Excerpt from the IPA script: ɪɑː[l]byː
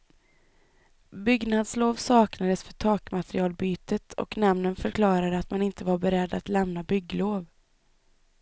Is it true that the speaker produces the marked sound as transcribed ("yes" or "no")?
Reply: yes